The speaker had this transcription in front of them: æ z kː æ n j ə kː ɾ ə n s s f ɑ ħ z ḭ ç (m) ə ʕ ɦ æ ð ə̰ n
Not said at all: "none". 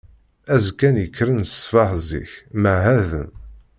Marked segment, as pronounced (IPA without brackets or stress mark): m